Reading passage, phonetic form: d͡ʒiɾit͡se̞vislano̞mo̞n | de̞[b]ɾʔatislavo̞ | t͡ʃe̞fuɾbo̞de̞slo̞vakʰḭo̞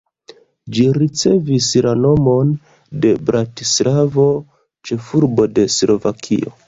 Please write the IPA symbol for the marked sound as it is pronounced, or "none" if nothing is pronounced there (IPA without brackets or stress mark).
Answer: b